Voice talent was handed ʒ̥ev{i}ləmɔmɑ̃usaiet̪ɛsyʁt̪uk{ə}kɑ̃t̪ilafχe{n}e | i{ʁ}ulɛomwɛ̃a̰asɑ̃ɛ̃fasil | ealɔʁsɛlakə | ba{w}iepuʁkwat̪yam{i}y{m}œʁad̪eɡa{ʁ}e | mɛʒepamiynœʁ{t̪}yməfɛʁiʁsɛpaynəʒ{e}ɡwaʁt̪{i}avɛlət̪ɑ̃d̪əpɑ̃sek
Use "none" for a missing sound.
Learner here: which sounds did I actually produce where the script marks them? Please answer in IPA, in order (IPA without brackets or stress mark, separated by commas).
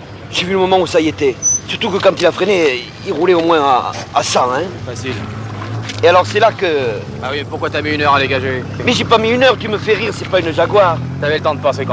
y, ə, n, ʁ, w, i, n, ʒ, t̪, a, y